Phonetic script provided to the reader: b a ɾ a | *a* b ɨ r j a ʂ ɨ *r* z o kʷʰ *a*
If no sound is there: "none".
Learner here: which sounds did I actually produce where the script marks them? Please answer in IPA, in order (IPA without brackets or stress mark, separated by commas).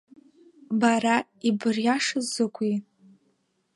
i, none, i